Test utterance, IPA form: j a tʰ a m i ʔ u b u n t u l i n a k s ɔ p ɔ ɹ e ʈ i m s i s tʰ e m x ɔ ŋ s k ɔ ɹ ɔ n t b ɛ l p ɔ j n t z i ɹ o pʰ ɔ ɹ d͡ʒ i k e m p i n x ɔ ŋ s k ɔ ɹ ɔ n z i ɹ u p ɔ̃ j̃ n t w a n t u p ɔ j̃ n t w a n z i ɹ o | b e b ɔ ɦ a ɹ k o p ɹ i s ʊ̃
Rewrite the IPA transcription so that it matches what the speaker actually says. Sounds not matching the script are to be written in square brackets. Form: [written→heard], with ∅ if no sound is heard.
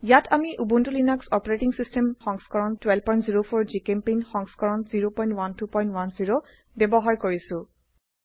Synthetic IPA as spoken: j a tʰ a m i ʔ u b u n t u l i n a k s ɔ p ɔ ɹ e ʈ i [m→ŋ] s i s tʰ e m x ɔ ŋ s k ɔ ɹ ɔ n t [b→w] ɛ l p ɔ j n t z i ɹ o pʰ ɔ ɹ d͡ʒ i k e m p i n x ɔ ŋ s k ɔ ɹ ɔ n z i ɹ [u→o] p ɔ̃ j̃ n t w a n t u p ɔ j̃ n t w a n z i ɹ o | b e b ɔ ɦ a ɹ k o [p→∅] ɹ i s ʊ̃